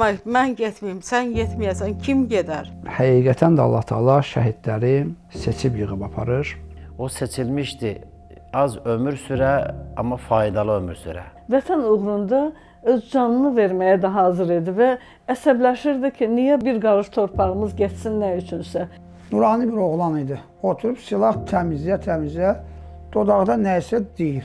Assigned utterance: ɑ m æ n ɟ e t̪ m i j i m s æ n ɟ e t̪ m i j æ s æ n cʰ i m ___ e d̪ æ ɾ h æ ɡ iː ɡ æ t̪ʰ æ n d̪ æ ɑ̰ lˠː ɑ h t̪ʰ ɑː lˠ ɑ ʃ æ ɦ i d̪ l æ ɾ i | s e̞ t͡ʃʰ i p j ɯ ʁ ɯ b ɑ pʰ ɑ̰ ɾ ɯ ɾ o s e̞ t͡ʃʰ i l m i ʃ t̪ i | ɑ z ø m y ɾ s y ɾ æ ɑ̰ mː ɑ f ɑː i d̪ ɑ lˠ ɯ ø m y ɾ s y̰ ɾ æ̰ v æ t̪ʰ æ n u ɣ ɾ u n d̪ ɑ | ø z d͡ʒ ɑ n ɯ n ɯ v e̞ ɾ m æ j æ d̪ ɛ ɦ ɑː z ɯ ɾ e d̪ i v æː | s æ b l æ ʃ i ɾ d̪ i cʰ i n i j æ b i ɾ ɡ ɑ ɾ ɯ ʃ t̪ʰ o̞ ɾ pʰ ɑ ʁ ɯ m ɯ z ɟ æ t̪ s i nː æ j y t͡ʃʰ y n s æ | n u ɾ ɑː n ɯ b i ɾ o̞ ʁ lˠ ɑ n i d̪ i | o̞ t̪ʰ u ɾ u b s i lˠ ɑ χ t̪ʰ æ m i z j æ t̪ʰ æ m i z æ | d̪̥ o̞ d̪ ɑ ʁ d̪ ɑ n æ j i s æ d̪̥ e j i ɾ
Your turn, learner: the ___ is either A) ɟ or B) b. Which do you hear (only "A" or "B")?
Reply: A